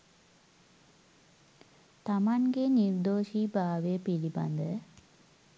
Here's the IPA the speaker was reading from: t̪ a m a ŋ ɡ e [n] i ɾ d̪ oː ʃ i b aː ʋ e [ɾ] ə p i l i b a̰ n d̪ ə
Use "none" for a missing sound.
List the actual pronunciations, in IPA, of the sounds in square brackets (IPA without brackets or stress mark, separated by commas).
n, none